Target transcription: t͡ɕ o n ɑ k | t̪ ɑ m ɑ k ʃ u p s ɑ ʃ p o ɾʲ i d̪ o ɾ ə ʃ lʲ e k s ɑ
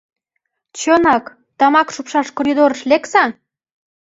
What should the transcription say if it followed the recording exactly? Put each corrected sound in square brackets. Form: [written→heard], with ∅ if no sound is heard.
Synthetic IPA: t͡ɕ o n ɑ k | t̪ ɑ m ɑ k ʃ u p [s→ʃ] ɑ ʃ [p→k] o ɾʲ i d̪ o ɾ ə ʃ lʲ e k s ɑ